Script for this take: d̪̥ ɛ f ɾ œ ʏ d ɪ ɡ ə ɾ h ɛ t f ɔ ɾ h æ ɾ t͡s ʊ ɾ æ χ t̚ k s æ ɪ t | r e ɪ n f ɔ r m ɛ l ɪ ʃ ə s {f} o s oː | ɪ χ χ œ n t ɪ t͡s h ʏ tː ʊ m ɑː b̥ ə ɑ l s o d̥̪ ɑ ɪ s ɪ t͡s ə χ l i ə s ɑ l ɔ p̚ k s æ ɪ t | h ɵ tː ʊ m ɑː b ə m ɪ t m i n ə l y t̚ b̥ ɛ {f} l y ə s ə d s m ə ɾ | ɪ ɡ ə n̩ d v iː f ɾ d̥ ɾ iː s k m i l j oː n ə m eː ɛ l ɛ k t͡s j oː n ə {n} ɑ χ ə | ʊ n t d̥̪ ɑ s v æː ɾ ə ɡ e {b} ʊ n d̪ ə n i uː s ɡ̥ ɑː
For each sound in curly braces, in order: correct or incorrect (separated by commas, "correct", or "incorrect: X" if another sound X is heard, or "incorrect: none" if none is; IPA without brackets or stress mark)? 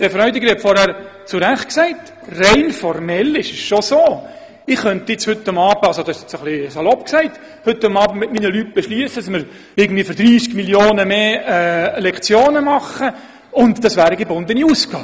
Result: incorrect: ʃ, incorrect: ʃ, incorrect: m, correct